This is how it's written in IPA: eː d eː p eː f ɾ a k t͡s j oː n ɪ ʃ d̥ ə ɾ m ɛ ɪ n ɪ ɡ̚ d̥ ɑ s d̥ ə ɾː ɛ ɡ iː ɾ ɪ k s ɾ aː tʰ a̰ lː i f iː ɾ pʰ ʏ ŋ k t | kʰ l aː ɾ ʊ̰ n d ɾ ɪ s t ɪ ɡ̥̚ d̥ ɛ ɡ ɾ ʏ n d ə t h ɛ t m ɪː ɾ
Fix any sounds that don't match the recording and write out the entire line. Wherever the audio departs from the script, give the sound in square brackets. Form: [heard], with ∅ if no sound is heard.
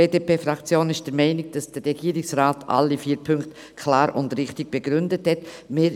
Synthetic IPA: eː d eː p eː f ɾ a k t͡s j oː n ɪ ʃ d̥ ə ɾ m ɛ ɪ n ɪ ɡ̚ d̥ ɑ s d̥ ə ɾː ɛ ɡ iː ɾ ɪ k s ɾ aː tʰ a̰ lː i f iː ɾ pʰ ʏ ŋ k t | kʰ l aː ɾ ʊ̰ n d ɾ ɪ [χ] t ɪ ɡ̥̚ [b̥] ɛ ɡ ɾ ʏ n d ə t h ɛ t m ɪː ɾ